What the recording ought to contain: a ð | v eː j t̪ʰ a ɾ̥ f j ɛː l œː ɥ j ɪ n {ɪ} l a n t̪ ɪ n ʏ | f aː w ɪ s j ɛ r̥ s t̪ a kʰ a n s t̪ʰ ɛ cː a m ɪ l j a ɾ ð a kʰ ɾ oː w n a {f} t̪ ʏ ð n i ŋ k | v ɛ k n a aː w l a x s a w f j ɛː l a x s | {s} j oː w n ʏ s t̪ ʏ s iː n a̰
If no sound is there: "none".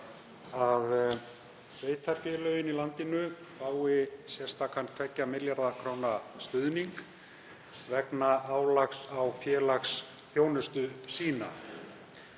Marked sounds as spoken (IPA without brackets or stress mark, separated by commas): i, s, θ